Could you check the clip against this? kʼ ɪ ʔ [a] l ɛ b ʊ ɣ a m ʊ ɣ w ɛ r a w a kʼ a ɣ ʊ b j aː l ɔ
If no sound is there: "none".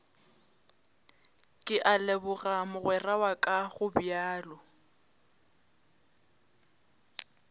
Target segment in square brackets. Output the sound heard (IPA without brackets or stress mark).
a